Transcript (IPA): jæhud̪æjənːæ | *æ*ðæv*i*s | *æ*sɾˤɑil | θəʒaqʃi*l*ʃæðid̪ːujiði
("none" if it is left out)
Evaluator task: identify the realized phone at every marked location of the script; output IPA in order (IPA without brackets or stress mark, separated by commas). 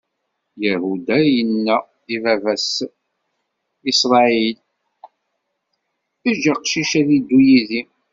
i, æ, i, none